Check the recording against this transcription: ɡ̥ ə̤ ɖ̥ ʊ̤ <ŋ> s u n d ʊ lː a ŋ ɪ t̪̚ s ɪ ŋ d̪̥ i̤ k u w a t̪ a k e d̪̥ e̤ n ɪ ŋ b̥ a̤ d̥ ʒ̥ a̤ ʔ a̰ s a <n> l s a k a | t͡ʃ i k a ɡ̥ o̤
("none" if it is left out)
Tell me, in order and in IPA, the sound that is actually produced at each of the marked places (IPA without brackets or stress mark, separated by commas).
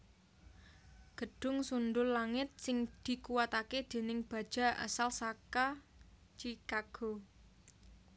ŋ, none